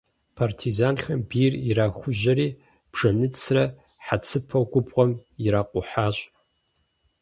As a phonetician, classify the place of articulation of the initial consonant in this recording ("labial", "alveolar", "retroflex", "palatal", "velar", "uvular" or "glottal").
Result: labial